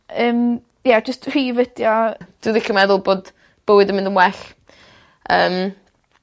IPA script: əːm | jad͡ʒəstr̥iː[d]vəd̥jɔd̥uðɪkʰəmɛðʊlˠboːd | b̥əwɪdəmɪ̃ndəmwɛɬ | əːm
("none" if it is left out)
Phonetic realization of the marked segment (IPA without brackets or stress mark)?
none